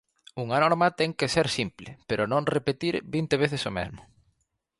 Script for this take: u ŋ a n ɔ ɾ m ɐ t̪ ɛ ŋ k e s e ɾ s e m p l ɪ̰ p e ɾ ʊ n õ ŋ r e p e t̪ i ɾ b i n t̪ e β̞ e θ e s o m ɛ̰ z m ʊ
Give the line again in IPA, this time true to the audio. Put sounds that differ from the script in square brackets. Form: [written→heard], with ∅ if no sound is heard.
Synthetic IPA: u ŋ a n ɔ ɾ m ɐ t̪ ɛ ŋ k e s e ɾ s [e→i] m p l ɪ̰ p e ɾ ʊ n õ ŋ r e p e t̪ i ɾ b i n t̪ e β̞ e θ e s o m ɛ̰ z m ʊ